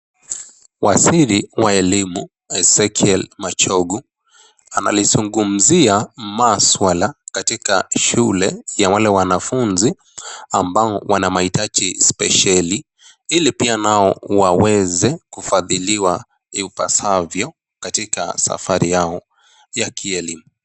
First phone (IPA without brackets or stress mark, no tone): w